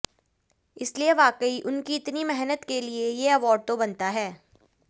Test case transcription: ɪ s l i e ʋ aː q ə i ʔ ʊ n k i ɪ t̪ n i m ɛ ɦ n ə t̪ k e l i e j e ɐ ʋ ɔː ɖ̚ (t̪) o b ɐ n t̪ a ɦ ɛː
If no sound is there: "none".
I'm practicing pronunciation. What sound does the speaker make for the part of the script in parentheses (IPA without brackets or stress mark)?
t̪